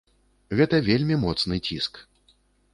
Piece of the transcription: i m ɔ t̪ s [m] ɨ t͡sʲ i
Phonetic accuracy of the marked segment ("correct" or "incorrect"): incorrect